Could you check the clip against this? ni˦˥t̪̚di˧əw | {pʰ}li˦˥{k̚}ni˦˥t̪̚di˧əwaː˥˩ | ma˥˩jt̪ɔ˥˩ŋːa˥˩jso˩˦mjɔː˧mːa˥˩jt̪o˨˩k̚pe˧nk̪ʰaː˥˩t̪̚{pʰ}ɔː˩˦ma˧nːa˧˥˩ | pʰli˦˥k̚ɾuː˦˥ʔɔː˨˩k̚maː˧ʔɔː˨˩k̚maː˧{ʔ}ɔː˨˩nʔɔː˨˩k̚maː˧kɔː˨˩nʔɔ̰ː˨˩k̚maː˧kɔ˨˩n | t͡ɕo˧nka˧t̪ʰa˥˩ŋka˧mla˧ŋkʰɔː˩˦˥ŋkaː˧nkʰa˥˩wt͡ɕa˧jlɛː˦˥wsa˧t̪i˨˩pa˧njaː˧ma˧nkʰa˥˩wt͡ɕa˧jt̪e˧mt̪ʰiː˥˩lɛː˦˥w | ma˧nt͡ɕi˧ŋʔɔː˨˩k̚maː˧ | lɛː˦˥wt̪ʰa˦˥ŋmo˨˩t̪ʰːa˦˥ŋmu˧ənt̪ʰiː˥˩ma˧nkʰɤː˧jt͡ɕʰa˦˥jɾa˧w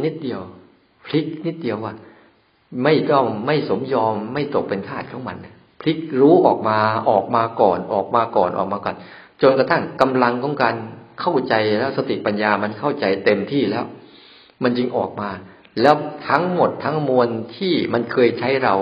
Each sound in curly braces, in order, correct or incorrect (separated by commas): correct, correct, incorrect, incorrect